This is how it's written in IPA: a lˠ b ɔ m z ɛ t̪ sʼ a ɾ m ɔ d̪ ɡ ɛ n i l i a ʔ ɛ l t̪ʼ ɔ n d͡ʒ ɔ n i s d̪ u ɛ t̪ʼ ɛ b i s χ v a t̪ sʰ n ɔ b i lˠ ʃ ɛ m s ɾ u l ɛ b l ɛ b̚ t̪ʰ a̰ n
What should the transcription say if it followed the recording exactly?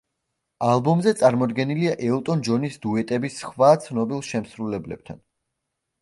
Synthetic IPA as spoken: a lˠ b ɔ m z ɛ t̪ sʼ a ɾ m ɔ d̪ ɡ ɛ n i l i a ʔ ɛ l t̪ʼ ɔ n d͡ʒ ɔ n i s d̪ u ɛ t̪ʼ ɛ b i s χ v a t̪ sʰ n ɔ b i lˠ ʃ ɛ m s ɾ u l ɛ b l ɛ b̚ t̪ʰ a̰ n